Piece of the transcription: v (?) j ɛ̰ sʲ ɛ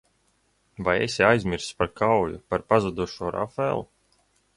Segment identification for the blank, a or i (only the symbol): a